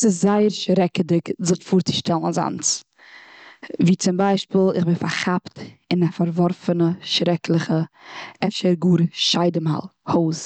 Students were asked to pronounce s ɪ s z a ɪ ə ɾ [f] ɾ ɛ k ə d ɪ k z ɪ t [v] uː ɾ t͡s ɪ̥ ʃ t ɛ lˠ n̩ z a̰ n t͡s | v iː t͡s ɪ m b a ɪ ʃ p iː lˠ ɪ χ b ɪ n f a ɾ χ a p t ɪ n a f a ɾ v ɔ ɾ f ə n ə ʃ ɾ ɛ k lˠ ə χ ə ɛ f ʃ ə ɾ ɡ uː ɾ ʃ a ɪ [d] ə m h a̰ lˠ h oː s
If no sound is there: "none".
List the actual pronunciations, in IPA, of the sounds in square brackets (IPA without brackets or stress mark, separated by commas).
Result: ʃ, f, d